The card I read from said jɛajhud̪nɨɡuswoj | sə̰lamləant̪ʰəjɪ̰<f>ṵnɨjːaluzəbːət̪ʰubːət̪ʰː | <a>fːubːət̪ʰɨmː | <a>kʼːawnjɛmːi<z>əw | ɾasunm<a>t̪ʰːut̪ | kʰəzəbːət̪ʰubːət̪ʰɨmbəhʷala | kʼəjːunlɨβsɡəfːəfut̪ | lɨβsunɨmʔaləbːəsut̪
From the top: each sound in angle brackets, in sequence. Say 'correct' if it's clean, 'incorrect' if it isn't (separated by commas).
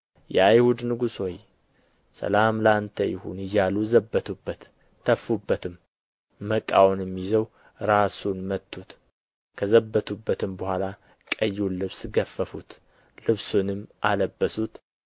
incorrect, incorrect, incorrect, correct, incorrect